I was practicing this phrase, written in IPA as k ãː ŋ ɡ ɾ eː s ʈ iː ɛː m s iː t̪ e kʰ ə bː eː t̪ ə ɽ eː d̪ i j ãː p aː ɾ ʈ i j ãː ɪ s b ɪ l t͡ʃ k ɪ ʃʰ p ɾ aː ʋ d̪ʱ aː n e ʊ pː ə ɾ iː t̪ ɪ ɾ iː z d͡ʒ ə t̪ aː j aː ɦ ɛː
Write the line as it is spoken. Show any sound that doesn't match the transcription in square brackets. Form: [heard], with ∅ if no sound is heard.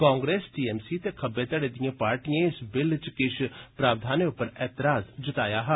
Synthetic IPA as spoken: k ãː ŋ ɡ ɾ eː s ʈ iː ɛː m s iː t̪ e kʰ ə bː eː t̪ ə ɽ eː d̪ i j ãː p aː ɾ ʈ i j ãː ɪ s b ɪ l t͡ʃ k ɪ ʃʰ p ɾ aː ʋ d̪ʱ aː n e ʊ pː ə ɾ [ɛː] t̪ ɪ ɾ [aː] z d͡ʒ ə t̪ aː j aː ɦ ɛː